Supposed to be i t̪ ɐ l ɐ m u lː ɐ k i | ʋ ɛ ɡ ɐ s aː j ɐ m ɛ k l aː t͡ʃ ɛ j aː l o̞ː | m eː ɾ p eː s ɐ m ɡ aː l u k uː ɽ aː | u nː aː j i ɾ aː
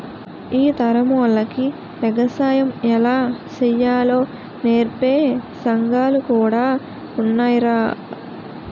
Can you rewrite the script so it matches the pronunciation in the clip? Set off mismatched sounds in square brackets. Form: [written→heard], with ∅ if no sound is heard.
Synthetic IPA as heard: [i→iː] t̪ ɐ [l→ɾ] ɐ m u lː ɐ k i | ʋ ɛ ɡ ɐ s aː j ɐ m ɛ [k→∅] l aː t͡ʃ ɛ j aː l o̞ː | [m→n] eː ɾ p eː s ɐ [m→ŋ] ɡ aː l u k uː ɽ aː | u nː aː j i ɾ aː